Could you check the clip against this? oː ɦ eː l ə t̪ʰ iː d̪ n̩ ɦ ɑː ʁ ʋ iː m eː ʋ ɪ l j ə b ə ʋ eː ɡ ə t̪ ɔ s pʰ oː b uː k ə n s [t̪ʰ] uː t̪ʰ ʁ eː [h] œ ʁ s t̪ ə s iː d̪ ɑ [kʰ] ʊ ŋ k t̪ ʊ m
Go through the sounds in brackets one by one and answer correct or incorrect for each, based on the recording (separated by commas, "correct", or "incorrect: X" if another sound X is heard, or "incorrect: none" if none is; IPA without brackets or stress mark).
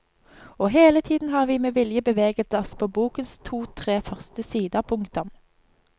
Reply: correct, incorrect: f, incorrect: pʰ